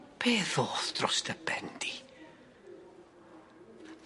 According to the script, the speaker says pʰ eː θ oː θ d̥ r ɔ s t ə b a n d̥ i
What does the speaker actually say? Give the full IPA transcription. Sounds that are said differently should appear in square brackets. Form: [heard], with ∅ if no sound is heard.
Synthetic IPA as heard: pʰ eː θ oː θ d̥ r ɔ s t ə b [ɛ] n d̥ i